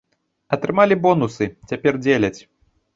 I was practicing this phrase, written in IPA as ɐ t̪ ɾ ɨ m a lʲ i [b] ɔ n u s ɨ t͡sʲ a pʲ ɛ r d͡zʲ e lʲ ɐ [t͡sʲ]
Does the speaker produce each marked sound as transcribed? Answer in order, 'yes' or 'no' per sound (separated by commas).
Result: yes, yes